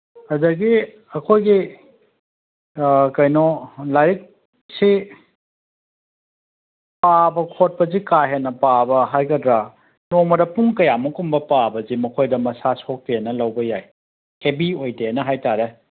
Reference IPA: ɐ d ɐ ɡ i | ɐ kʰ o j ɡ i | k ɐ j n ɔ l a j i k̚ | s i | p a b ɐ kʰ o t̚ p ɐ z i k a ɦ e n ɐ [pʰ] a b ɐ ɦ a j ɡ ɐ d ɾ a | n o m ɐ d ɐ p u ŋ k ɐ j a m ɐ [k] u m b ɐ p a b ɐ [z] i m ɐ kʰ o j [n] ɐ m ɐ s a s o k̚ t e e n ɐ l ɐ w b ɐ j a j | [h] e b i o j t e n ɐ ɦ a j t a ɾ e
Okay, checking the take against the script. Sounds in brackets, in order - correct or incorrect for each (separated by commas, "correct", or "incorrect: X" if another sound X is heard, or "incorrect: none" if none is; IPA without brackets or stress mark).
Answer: incorrect: p, correct, correct, incorrect: d, correct